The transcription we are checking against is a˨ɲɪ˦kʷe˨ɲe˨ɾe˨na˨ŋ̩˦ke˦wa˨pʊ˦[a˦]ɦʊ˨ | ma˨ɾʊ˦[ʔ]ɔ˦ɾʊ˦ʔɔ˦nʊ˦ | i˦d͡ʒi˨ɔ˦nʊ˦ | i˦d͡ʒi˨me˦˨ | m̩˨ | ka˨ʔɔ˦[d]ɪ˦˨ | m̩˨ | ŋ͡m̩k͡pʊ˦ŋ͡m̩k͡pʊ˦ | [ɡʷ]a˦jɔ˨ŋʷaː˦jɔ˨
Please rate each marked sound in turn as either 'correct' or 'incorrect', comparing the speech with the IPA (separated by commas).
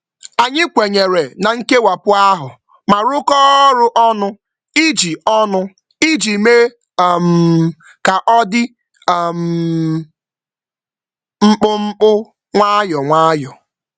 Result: correct, incorrect, correct, incorrect